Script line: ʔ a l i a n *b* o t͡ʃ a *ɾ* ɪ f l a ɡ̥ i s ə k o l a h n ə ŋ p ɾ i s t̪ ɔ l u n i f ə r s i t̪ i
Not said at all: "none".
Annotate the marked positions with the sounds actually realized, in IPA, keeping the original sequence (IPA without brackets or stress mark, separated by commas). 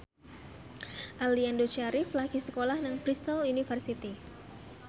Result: d, ɾ